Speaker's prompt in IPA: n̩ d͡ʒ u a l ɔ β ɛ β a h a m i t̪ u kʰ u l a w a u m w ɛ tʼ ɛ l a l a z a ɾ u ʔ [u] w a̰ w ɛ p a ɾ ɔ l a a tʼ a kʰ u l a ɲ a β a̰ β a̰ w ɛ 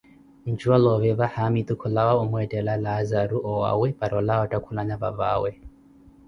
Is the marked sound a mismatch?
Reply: yes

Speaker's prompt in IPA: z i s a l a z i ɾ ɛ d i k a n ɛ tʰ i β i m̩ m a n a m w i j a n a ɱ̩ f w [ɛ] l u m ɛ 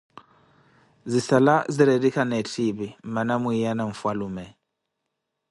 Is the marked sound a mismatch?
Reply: yes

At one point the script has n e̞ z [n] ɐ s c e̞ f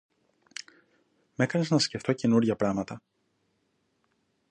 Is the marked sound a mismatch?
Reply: no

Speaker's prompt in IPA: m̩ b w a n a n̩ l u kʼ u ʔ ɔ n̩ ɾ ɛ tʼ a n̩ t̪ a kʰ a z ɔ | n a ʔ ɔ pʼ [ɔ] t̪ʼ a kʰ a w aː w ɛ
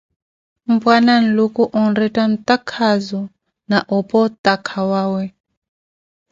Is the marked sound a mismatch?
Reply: no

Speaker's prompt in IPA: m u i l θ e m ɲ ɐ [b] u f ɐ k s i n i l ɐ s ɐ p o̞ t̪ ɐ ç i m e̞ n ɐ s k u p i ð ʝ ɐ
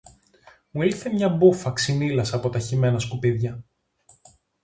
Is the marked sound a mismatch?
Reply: no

